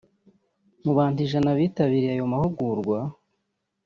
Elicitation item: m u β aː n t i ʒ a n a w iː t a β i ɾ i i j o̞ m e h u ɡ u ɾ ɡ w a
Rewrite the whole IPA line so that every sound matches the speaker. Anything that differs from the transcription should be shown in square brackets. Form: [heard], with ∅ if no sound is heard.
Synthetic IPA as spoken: m u β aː n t i ʒ a n a [β] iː t a β i ɾ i [a] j o̞ m [a] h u ɡ u ɾ ɡ w a